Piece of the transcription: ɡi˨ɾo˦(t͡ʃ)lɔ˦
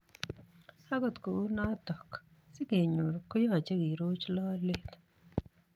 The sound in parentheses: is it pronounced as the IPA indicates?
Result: yes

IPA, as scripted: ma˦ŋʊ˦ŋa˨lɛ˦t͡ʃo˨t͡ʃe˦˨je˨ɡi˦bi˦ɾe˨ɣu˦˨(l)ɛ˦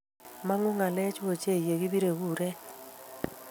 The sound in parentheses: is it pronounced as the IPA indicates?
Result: no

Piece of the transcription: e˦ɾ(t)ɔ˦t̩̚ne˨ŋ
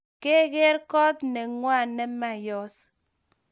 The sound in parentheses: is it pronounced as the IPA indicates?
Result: no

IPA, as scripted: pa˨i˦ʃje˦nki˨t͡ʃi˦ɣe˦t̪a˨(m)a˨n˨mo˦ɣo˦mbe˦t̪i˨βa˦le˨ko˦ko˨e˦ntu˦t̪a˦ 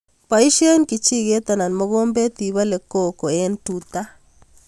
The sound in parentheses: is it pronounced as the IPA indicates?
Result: no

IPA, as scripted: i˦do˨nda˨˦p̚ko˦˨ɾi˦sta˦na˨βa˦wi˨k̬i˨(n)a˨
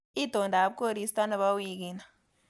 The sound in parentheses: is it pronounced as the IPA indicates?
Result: yes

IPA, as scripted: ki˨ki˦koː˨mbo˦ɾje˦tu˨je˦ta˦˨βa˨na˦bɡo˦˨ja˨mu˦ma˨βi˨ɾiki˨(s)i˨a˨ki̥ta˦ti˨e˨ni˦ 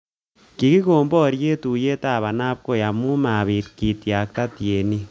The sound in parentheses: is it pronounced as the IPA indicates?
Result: no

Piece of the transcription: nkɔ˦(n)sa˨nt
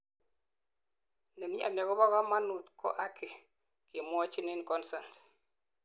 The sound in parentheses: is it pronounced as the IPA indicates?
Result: yes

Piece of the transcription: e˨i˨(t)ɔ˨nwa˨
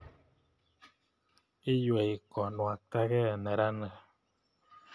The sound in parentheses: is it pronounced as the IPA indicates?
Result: no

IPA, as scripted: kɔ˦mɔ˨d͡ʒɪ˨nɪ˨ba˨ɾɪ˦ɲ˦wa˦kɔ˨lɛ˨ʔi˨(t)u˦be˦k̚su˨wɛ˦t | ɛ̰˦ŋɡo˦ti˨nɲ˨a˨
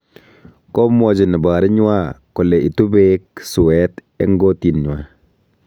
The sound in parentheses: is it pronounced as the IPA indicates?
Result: yes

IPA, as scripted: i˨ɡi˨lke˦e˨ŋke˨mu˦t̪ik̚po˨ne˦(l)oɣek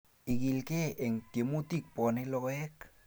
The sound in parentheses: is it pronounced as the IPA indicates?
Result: yes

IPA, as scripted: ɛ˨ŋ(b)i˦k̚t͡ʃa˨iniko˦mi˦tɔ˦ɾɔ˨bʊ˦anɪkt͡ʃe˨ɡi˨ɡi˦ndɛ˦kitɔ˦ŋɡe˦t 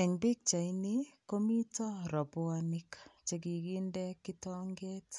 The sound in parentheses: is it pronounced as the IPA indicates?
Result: yes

